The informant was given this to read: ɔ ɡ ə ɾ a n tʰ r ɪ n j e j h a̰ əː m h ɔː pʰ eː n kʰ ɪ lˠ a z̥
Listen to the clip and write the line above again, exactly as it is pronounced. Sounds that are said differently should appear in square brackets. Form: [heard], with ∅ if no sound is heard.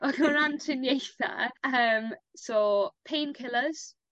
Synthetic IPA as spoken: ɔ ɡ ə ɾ a n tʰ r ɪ n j e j [θ] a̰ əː m [s] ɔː pʰ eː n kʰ ɪ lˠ [ə] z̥